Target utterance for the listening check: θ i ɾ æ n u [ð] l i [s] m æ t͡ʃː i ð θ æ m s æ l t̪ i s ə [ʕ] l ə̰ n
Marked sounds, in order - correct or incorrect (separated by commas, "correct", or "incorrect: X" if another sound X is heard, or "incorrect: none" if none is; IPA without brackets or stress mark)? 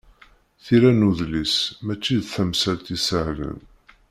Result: correct, correct, correct